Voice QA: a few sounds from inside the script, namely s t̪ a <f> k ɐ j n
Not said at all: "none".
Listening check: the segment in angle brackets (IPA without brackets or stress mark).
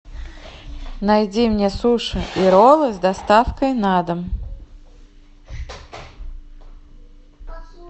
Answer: f